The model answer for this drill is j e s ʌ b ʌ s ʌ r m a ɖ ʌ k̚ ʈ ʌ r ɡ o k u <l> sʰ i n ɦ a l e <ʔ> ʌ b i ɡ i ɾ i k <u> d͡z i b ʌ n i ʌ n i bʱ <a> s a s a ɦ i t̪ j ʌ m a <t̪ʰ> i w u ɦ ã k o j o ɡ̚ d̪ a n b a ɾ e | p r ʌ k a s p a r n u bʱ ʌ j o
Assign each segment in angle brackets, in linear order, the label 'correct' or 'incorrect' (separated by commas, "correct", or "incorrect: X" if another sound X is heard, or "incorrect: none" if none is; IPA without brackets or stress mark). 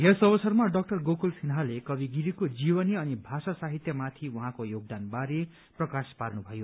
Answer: correct, incorrect: k, incorrect: o, correct, correct